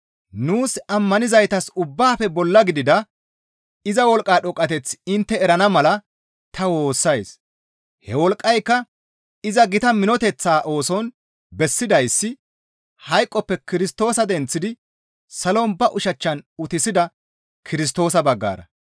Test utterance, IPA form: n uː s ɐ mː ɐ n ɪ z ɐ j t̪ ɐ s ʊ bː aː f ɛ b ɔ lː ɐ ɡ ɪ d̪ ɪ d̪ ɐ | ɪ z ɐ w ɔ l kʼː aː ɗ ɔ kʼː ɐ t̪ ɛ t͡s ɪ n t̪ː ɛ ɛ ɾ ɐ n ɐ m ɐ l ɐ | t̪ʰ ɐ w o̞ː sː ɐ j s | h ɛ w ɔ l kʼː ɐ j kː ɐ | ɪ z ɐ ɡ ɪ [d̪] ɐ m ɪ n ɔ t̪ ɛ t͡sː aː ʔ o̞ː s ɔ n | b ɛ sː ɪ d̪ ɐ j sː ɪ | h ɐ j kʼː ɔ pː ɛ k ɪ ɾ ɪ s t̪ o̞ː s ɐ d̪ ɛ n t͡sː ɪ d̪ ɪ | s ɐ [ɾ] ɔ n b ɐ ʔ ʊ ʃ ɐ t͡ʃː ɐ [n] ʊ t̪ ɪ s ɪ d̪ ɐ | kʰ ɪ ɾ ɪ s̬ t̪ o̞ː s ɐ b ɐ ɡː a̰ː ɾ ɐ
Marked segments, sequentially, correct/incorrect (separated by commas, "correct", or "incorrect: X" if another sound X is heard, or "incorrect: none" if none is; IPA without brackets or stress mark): incorrect: t̪, incorrect: l, correct